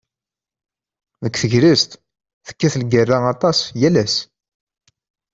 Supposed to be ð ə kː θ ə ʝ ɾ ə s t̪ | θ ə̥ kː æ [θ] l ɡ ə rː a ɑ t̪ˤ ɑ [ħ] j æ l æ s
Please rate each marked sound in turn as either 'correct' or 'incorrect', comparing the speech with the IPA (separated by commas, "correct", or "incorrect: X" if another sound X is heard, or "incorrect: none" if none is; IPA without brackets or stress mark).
correct, incorrect: s